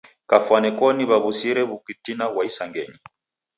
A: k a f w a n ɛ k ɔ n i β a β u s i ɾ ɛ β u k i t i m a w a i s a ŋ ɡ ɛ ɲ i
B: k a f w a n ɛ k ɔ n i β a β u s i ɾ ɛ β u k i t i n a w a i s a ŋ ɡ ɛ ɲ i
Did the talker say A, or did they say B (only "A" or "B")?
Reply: B